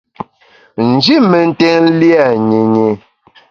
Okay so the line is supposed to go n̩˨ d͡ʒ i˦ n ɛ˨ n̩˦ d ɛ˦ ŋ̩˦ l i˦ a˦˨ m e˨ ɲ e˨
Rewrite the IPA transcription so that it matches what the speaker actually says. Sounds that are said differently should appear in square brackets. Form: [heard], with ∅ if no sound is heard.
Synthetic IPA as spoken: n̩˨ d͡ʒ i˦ [m] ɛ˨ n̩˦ [t] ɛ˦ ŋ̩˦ l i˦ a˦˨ [ɲ] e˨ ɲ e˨